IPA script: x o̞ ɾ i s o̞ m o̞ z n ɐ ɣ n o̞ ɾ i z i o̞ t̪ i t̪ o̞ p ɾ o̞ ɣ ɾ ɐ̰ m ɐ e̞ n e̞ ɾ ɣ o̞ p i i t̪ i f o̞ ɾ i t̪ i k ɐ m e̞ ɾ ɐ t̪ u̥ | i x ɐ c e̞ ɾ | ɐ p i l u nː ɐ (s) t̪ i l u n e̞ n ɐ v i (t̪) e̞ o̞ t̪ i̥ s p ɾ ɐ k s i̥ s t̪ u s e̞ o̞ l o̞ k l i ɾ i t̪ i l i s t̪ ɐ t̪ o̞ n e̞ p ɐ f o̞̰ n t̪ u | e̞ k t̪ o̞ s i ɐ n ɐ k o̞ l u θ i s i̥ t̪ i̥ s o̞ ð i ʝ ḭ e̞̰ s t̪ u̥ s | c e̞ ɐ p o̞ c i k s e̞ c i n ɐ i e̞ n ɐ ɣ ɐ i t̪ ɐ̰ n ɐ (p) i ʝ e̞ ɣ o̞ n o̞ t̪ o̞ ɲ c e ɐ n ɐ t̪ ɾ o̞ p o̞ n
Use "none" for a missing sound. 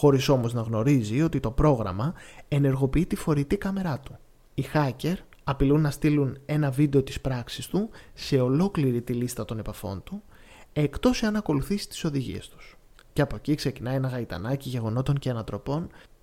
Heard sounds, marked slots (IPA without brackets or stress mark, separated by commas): s, d̪, c